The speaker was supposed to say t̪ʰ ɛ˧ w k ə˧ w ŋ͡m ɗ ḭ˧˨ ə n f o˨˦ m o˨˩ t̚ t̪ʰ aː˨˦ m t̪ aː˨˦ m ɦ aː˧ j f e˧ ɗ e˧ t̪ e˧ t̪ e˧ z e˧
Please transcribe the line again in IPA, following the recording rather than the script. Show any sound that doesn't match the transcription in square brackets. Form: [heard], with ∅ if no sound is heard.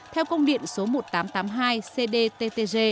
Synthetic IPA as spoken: t̪ʰ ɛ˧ w k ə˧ w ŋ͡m ɗ ḭ˧˨ ə n [s] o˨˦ m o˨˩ t̚ [t̪] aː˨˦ m t̪ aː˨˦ m ɦ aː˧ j [s] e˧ ɗ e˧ t̪ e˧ t̪ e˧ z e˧